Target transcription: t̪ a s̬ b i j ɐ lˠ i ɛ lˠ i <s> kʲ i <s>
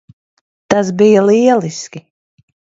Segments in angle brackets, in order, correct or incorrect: correct, incorrect

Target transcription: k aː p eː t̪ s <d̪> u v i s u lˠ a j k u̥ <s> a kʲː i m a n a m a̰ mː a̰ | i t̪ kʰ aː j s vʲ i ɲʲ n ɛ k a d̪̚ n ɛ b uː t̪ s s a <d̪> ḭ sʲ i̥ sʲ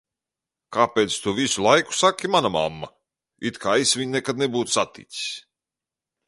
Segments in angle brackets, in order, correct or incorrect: incorrect, correct, incorrect

